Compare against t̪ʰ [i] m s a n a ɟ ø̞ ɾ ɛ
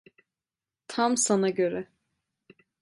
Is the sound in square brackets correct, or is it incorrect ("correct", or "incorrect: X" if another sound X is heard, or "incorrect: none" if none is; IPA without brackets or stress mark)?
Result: incorrect: a